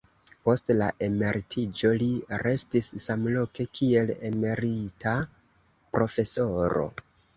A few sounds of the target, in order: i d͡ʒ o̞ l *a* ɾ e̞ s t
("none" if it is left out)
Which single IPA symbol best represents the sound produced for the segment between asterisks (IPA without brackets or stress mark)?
i